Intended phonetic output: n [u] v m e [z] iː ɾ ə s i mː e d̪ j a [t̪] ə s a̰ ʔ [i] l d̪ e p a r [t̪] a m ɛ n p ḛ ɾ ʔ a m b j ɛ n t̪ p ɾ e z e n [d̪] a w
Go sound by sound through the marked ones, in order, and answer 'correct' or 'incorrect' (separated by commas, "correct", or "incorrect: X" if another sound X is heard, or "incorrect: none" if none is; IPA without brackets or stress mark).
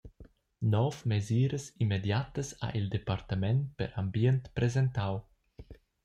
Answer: incorrect: ɔ, correct, correct, correct, correct, incorrect: t̪